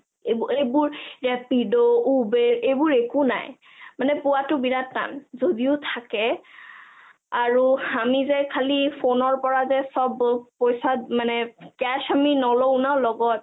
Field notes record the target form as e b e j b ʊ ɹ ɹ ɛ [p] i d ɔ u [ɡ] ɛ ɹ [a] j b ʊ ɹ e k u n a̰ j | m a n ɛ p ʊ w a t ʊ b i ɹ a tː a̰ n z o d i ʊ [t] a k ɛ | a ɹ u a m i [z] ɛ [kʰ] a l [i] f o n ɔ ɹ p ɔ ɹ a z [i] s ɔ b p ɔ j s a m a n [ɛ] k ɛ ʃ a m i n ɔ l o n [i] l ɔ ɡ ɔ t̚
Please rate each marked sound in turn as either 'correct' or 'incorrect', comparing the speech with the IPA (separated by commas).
correct, incorrect, incorrect, incorrect, correct, correct, correct, incorrect, correct, incorrect